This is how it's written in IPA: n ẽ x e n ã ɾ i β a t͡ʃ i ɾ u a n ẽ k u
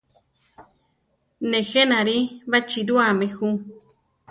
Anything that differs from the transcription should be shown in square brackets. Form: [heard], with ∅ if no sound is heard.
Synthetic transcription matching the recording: n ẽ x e n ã ɾ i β a t͡ʃ i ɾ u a [m] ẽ [x] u